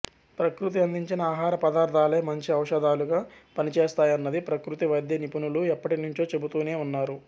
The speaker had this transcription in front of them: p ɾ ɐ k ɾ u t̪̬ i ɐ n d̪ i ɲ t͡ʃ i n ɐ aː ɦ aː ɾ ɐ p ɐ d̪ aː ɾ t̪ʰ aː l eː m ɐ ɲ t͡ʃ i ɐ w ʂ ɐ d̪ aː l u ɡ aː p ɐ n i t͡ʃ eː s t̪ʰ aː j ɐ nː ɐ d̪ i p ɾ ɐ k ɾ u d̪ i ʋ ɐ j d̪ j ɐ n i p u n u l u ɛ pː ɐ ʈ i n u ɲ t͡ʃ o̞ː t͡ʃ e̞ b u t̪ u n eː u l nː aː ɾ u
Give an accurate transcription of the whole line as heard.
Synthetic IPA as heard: p ɾ ɐ k ɾ u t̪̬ i ɐ n d̪ i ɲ t͡ʃ i n ɐ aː ɦ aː ɾ ɐ p ɐ d̪ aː ɾ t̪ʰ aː l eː m ɐ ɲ t͡ʃ i ɐ w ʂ ɐ d̪ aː l u ɡ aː p ɐ n i t͡ʃ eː s t̪ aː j ɐ nː ɐ d̪ i p ɾ ɐ k ɾ u t̪ i ʋ ɐ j d̪ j ɐ n i p u n u l u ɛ pː ɐ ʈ i n u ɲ t͡ʃ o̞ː t͡ʃ e̞ b u t̪ uː n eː u nː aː ɾ u